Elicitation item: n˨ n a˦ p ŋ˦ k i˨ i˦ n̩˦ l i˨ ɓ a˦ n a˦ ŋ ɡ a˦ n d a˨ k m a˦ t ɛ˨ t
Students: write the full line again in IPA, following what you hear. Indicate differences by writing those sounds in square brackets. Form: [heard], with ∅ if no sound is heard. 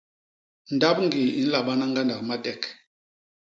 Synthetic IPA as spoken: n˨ [d] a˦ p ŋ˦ [ɡ] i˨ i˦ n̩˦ l [a˨] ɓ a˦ n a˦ ŋ ɡ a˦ n d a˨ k m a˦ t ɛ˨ [k]